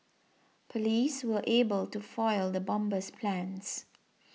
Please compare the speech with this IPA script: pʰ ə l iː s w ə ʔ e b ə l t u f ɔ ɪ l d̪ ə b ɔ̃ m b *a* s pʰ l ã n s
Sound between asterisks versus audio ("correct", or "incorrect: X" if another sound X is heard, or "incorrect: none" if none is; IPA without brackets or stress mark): incorrect: ə